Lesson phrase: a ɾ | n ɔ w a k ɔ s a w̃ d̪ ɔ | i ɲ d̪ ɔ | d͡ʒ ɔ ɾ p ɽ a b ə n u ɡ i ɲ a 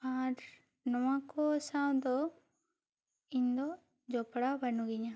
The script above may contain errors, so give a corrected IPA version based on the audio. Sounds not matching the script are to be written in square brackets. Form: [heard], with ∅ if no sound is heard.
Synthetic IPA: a ɾ | n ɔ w a k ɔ s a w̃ d̪ ɔ | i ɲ d̪ ɔ | d͡ʒ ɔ [∅] p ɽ a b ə n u ɡ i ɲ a